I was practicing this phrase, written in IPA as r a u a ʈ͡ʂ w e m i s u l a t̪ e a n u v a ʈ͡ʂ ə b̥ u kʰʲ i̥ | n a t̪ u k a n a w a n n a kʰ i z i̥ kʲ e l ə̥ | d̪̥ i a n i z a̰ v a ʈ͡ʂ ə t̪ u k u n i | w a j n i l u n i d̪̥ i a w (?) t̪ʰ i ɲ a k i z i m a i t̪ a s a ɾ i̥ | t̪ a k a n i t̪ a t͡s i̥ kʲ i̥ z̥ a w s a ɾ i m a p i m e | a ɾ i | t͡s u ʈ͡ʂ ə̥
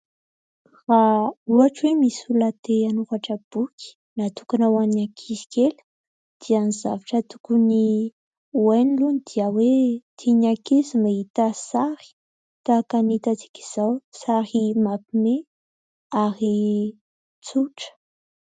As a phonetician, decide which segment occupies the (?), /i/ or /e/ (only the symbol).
e